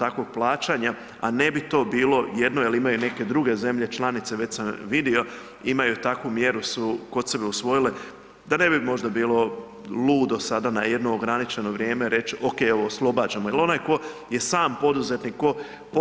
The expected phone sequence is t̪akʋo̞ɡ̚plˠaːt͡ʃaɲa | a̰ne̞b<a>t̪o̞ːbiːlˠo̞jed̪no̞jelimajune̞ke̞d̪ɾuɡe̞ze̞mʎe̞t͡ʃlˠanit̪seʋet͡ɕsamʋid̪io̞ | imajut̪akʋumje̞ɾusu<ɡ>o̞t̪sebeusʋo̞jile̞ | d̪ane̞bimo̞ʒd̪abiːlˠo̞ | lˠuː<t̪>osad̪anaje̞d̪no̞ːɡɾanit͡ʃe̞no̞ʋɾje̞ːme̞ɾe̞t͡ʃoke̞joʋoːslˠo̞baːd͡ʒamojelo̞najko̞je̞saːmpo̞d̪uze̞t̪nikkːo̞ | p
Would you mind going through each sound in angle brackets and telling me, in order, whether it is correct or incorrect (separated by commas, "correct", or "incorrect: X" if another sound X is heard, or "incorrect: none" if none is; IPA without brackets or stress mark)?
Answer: incorrect: i, incorrect: k, incorrect: d̪